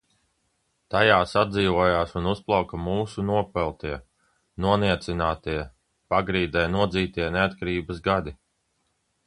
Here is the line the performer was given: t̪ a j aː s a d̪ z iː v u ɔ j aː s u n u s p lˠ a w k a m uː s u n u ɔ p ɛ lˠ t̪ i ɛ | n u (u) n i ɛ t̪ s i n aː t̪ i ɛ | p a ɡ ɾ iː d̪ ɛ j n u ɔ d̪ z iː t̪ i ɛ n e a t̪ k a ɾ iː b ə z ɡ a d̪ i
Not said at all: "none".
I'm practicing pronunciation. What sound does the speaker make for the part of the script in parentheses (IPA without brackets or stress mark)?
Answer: ɔ